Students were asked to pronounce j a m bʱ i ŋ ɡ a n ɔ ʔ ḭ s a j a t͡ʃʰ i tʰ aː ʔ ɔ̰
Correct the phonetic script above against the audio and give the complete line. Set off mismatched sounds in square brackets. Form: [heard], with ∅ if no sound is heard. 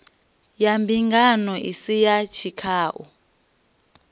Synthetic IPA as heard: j a m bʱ i ŋ ɡ a n ɔ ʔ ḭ s [i] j a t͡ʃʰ i [kʰ] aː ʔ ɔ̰